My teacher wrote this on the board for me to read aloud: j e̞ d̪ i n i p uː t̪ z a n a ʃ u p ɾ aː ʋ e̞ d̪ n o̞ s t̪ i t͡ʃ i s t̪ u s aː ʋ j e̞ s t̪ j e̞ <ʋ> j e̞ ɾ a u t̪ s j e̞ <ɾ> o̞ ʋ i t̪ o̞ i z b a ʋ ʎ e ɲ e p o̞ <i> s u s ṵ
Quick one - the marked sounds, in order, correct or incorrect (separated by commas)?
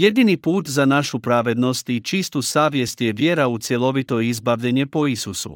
correct, incorrect, correct